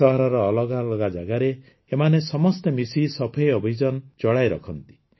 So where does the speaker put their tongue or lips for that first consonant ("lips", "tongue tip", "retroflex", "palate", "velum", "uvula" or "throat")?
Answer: throat